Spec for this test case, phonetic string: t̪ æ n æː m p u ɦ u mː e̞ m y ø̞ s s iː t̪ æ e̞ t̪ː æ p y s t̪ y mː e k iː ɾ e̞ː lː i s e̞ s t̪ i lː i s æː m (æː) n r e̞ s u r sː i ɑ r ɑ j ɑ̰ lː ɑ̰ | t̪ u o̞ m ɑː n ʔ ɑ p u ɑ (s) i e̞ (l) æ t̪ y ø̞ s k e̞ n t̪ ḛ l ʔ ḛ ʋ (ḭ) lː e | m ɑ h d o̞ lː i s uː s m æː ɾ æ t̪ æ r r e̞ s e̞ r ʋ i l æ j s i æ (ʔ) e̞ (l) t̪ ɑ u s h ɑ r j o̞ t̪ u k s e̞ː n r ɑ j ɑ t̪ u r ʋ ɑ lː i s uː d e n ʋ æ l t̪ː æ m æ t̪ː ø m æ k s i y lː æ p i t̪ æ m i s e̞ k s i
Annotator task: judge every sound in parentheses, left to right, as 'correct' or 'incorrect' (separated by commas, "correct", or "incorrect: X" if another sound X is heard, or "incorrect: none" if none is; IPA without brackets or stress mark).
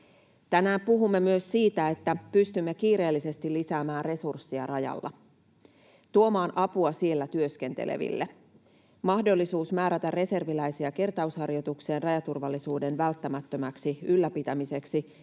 correct, correct, incorrect: lː, correct, incorrect: k, incorrect: r